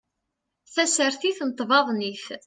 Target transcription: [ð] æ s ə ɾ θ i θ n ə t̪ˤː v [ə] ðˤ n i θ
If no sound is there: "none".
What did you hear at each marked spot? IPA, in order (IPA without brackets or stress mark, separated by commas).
θ, ɑ